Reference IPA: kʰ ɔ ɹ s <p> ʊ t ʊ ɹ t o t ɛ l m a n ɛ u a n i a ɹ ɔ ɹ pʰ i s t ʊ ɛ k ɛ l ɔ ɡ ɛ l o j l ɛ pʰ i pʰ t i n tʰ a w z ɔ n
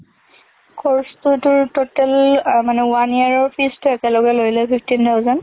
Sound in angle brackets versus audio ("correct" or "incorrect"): incorrect